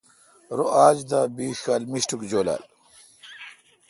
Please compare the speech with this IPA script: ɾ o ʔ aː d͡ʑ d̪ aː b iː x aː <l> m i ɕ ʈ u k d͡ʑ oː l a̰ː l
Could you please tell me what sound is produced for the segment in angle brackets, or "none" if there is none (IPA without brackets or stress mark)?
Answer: l